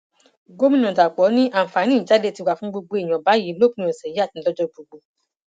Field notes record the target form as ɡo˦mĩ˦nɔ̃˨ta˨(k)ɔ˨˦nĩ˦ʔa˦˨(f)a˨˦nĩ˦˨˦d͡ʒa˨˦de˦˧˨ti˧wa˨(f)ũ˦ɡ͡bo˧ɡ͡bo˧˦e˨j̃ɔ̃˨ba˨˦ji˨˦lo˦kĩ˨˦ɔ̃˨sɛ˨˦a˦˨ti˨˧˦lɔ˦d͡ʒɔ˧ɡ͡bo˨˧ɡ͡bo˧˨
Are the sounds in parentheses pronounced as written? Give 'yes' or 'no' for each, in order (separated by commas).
no, yes, yes